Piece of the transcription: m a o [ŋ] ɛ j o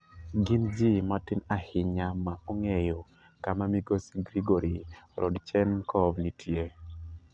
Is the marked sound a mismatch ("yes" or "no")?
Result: no